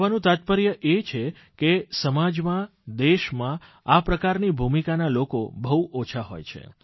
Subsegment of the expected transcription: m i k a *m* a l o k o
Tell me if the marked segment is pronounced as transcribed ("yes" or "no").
no